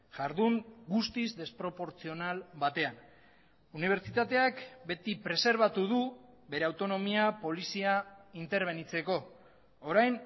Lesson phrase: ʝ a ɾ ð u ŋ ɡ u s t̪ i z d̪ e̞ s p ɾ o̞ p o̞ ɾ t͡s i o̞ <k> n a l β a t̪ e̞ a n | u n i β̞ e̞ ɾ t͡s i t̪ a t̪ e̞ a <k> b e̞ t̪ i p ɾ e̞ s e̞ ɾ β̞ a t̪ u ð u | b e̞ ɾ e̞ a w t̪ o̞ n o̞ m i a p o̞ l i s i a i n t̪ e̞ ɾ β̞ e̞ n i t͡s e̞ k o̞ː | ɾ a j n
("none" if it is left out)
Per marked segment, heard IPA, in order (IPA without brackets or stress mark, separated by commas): none, k